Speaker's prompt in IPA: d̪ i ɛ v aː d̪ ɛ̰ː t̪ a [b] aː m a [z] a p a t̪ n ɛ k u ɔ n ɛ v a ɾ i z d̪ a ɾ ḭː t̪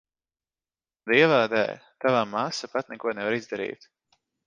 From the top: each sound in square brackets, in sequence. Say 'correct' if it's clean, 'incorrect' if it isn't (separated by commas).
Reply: incorrect, incorrect